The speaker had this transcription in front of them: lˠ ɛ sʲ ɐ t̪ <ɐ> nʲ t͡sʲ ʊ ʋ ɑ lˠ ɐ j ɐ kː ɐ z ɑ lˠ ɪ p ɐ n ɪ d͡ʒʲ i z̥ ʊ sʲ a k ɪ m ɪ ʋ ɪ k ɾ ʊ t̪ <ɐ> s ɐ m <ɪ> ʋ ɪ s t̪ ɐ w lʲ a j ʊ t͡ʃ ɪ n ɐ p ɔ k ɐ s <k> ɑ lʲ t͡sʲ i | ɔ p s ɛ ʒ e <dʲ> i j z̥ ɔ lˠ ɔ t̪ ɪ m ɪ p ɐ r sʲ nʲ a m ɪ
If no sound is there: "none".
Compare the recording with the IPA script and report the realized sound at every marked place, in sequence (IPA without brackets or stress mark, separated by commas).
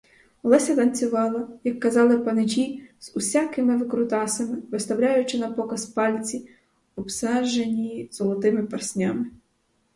ɐ, ɑ, ɪ, p, nʲ